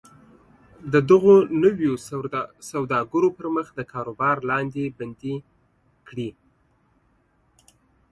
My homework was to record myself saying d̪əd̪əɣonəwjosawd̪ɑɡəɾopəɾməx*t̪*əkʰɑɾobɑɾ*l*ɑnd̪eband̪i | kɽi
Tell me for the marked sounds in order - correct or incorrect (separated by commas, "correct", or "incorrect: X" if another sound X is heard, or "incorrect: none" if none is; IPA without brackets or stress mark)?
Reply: incorrect: d̪, correct